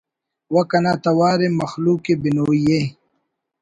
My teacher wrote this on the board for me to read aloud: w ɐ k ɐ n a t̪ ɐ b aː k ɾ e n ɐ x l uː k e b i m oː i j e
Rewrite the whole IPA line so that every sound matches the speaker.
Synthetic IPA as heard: w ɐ k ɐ n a t̪ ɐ w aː ɾ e m ɐ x l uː k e b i n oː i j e